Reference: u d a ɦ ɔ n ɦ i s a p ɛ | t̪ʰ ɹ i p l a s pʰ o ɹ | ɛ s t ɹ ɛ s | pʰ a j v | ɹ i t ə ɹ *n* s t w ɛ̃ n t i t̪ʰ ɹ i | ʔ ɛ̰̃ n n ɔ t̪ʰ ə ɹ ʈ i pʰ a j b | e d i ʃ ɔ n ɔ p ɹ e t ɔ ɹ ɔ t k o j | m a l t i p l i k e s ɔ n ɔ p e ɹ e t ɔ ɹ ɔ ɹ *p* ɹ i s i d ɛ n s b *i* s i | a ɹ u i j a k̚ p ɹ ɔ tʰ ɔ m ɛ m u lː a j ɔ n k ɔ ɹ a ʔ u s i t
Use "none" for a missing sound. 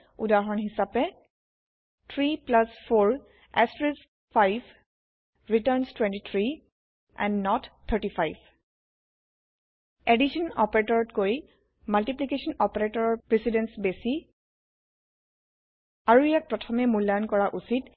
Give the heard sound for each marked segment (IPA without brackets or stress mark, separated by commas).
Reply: n, p, e